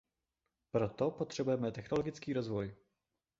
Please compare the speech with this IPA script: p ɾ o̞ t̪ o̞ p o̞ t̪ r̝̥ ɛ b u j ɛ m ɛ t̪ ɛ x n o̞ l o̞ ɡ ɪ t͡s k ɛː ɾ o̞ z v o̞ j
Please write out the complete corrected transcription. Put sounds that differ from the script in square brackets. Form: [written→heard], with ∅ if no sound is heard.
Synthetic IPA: p ɾ o̞ t̪ o̞ p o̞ t̪ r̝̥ ɛ b u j ɛ m ɛ t̪ ɛ x n o̞ l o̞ ɡ ɪ t͡s k [ɛː→iː] ɾ o̞ z v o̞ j